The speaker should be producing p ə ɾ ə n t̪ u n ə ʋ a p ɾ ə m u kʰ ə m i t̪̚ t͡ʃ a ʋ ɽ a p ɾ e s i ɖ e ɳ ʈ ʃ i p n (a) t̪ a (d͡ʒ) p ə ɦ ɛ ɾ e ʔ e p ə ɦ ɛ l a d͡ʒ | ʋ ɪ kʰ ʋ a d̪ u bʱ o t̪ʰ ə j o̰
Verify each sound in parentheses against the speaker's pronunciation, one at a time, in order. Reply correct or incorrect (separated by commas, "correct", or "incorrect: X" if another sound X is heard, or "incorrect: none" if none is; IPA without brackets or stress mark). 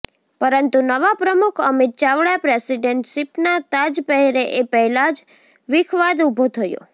correct, correct